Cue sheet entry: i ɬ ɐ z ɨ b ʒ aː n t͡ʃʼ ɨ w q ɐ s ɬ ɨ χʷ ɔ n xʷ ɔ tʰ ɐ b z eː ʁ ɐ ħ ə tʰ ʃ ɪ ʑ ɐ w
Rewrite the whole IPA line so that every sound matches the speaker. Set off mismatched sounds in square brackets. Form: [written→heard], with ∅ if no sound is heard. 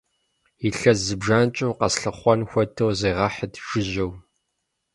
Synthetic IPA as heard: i ɬ ɐ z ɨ b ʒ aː n t͡ʃʼ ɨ w q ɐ s ɬ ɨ χʷ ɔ n xʷ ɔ tʰ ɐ [b→w] z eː ʁ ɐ ħ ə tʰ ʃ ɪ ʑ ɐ w